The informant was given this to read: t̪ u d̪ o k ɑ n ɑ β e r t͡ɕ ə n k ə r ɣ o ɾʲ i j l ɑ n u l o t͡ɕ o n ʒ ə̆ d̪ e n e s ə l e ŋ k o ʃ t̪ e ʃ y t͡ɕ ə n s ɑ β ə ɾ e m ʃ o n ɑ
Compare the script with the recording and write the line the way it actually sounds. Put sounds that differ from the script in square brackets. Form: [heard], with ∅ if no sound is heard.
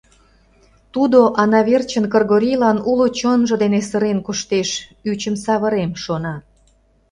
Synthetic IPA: t̪ u d̪ o [ʔ] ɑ n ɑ β e r t͡ɕ ə n k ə r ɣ o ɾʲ i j l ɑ n u l o t͡ɕ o n ʒ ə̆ d̪ e n e s ə [ɾ] e [n] k o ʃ t̪ e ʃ y t͡ɕ ə [m] s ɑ β ə ɾ e m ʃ o n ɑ